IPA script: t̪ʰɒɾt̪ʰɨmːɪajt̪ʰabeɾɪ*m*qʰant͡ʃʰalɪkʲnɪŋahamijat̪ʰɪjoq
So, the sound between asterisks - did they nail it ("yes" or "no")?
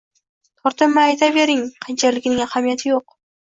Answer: no